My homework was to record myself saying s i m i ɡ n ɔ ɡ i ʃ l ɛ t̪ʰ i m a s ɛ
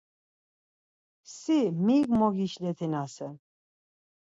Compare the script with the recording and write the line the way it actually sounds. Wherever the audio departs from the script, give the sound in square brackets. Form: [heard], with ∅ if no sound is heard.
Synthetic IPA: s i m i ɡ [m] ɔ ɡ i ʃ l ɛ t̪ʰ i [n] a s ɛ